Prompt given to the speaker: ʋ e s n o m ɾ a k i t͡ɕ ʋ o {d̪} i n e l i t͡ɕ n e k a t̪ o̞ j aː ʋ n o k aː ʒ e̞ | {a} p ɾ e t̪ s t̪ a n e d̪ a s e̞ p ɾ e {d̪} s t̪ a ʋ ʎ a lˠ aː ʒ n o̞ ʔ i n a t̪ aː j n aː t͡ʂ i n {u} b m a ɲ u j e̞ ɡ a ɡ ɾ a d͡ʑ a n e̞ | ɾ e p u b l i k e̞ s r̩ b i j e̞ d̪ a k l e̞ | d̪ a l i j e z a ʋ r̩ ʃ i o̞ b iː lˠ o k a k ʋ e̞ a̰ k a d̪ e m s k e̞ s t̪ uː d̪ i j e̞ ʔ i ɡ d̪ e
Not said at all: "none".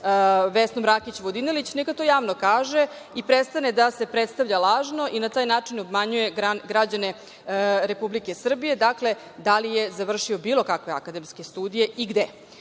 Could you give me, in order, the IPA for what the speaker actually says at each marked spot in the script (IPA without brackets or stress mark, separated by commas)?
d̪, i, t̪, o